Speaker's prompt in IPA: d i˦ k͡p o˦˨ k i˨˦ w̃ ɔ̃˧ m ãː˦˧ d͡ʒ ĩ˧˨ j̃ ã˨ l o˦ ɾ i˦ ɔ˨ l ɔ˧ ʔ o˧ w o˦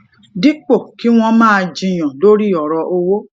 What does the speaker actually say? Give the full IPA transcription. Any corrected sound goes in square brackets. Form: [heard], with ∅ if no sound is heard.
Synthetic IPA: d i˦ k͡p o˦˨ k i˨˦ w̃ ɔ̃˧ m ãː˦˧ d͡ʒ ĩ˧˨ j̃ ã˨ l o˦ ɾ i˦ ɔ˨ [ɾ] ɔ˧ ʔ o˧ w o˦